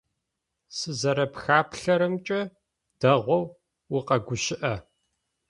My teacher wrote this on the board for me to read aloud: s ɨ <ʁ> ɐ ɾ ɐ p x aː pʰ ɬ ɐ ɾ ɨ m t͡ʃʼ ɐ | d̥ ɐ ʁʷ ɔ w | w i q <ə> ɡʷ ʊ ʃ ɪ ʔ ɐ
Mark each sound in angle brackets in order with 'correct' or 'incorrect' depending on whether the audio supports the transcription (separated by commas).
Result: incorrect, incorrect